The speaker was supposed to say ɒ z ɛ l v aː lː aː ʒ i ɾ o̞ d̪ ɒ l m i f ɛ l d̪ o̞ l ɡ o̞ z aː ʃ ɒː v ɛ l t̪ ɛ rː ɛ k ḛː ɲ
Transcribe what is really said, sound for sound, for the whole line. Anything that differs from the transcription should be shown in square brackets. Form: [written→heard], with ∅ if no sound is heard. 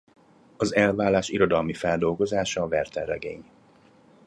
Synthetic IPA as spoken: ɒ z ɛ l v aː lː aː [ʒ→ʃ] i ɾ o̞ d̪ ɒ l m i f ɛ l d̪ o̞ l ɡ o̞ z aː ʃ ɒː v ɛ [l→r] t̪ ɛ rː ɛ [k→ɡ] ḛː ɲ